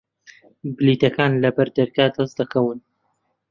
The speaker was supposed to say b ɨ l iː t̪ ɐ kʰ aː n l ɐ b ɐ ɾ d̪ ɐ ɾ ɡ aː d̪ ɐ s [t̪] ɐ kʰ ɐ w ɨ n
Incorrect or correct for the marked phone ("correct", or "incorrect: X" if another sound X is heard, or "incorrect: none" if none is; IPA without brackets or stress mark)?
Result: incorrect: d̪